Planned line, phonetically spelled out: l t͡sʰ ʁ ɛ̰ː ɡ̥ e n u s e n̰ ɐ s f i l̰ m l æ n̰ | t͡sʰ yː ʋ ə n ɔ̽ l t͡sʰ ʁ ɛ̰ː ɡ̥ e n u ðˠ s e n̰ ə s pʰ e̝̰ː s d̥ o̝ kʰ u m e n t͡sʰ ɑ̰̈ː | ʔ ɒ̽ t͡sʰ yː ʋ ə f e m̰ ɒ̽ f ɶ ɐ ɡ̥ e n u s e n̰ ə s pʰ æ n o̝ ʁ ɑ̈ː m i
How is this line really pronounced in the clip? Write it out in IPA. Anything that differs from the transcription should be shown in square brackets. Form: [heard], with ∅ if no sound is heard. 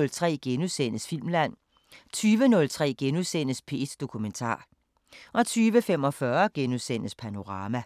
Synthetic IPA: l t͡sʰ ʁ ɛ̰ː ɡ̥ e n u s e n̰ [ə] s f i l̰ m l æ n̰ | t͡sʰ yː ʋ ə n ɔ̽ l t͡sʰ ʁ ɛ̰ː ɡ̥ e n u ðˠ s e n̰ ə s pʰ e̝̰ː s d̥ o̝ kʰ u m e n t͡sʰ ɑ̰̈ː | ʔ ɒ̽ t͡sʰ yː ʋ ə f e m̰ ɒ̽ f ɶ ɐ ɡ̥ e n u s e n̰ ə s pʰ æ n o̝ ʁ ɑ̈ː m [æ]

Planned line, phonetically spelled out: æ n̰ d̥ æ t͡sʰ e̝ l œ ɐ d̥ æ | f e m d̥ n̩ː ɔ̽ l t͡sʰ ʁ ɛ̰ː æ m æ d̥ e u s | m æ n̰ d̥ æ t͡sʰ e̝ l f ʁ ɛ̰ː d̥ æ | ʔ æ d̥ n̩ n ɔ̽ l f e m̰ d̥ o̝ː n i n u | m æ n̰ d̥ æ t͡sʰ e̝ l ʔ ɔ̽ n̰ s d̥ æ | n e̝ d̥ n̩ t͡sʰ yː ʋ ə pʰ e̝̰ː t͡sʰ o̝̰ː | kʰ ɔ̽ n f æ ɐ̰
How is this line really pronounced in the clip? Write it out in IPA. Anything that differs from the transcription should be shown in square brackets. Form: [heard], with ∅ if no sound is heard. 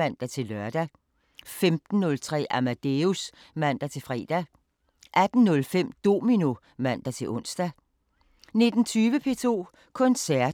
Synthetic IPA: æ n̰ d̥ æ t͡sʰ e̝ l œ ɐ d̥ æ | f e m d̥ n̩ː ɔ̽ l t͡sʰ ʁ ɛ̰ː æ m æ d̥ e u s | m æ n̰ d̥ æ t͡sʰ e̝ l f ʁ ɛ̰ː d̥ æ | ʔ æ d̥ n̩ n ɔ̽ l f e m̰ d̥ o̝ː [m] i n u | m æ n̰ d̥ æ t͡sʰ e̝ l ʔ ɔ̽ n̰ s d̥ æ | n e̝ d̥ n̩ t͡sʰ yː ʋ ə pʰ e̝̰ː t͡sʰ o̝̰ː | kʰ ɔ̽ n [s] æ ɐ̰

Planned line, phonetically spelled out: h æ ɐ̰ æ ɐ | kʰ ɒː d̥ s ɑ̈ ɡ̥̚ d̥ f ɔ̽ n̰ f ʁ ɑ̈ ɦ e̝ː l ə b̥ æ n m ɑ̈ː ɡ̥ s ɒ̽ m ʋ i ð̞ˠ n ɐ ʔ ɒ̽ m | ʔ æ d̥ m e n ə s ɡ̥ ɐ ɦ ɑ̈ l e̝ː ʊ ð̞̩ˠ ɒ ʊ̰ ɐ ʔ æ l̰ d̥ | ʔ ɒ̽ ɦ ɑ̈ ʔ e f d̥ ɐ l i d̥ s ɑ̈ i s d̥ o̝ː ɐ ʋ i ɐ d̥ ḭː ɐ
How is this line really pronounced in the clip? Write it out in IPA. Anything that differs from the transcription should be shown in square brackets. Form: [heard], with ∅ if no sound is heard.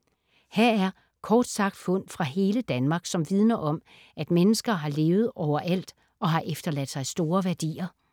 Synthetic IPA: h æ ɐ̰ æ ɐ | kʰ ɒː d̥ s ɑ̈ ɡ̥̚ d̥ f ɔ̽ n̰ f ʁ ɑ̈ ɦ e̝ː l ə [d̥] æ n m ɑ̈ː ɡ̥ s ɒ̽ m ʋ i ð̞ˠ n ɐ ʔ ɒ̽ m | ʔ æ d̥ m e n ə s ɡ̥ ɐ ɦ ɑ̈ l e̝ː ʊ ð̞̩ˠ ɒ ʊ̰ ɐ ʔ æ l̰ d̥ | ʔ ɒ̽ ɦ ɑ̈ ʔ e f d̥ ɐ l [æ] d̥ s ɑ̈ [ɪ] s d̥ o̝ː ɐ ʋ [æ] ɐ d̥ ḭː ɐ

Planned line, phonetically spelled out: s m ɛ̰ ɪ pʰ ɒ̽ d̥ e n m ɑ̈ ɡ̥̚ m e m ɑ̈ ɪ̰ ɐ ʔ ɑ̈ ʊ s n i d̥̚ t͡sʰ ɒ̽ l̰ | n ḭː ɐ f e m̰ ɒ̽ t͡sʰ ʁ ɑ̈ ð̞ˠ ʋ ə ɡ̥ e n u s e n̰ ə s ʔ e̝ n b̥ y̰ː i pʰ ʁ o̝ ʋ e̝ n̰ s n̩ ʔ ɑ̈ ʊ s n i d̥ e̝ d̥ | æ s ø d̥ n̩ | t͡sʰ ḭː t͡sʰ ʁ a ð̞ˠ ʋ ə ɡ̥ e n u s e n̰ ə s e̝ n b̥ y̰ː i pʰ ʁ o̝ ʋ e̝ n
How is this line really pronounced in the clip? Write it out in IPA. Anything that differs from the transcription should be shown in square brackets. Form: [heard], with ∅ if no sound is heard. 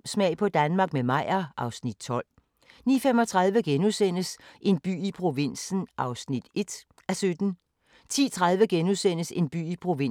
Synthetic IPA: s m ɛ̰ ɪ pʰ ɒ̽ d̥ [æ] n m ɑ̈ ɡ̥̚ m e m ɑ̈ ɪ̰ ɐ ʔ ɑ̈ ʊ s n i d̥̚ t͡sʰ ɒ̽ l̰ | n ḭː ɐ f e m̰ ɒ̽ t͡sʰ ʁ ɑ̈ ð̞ˠ ʋ ə ɡ̥ e n u s e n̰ ə s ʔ e̝ n b̥ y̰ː i pʰ ʁ o̝ ʋ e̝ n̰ s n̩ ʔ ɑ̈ ʊ s n i d̥ e̝ d̥ | æ s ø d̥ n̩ | t͡sʰ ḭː t͡sʰ ʁ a ð̞ˠ ʋ ə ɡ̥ e n u s e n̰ ə s e̝ n b̥ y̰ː i pʰ ʁ o̝ ʋ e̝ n

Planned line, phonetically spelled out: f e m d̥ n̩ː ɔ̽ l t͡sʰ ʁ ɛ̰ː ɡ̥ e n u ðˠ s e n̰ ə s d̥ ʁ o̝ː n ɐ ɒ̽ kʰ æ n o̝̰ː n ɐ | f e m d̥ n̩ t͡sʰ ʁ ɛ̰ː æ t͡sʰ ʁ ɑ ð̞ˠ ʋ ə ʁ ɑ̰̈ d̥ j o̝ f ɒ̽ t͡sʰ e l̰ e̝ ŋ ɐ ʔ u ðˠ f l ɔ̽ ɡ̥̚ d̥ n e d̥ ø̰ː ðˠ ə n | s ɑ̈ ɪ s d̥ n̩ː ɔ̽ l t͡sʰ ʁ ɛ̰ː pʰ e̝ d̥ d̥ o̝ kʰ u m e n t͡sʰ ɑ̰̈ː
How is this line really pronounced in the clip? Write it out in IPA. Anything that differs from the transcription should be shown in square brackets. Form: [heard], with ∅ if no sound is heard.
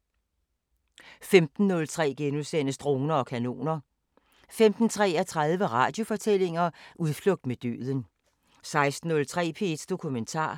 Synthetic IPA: f e m d̥ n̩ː ɔ̽ l t͡sʰ ʁ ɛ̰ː ɡ̥ e n u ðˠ s e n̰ ə s d̥ ʁ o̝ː n ɐ ɒ̽ kʰ æ n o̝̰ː n ɐ | f e m d̥ n̩ t͡sʰ ʁ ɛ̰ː æ t͡sʰ ʁ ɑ ð̞ˠ ʋ ə ʁ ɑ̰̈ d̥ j o̝ f ɒ̽ t͡sʰ e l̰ e̝ ŋ ɐ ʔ u ðˠ f l ɔ̽ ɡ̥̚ d̥ [m] e d̥ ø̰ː ðˠ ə n | s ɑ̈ ɪ s d̥ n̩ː ɔ̽ l t͡sʰ ʁ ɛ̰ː pʰ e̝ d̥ d̥ o̝ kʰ u m e n t͡sʰ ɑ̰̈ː

